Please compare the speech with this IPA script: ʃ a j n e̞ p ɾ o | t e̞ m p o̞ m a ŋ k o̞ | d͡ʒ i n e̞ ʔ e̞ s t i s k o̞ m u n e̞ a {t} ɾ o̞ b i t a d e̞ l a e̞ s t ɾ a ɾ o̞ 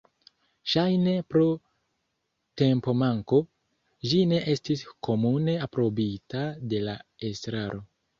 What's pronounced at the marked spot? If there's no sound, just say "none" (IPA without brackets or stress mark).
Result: p